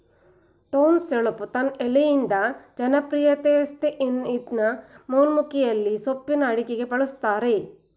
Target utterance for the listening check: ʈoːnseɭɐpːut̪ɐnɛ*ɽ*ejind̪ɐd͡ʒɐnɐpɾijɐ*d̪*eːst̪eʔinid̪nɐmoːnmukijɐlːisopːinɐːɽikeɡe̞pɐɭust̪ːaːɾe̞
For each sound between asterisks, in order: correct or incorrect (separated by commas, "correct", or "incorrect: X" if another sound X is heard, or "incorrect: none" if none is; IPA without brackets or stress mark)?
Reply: incorrect: l, incorrect: t̪